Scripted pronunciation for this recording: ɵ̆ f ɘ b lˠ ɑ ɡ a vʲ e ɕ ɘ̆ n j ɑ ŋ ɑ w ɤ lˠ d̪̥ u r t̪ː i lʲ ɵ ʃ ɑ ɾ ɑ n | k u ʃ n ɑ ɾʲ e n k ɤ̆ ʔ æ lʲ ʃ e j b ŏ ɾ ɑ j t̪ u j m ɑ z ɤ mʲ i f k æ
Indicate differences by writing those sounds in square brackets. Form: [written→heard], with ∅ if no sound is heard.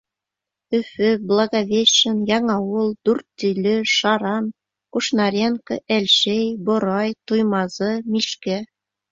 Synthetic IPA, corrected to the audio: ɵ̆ f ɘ b lˠ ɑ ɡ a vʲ e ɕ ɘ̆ n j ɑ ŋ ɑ w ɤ lˠ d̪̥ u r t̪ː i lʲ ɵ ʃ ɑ ɾ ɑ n | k u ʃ n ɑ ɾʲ e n k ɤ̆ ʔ æ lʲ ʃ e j b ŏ ɾ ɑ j t̪ u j m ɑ z ɤ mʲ i [f→ʃ] k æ